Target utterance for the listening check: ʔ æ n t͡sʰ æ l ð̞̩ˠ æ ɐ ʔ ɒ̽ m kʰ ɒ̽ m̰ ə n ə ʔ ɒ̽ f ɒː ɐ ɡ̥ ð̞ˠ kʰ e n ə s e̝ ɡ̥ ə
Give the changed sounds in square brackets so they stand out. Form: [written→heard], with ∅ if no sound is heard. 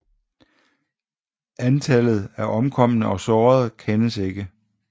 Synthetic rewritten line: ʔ æ n t͡sʰ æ l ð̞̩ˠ æ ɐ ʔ ɒ̽ m kʰ ɒ̽ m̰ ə n ə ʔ ɒ̽ [f→s] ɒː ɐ [ɡ̥→∅] ð̞ˠ kʰ e n ə s e̝ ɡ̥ ə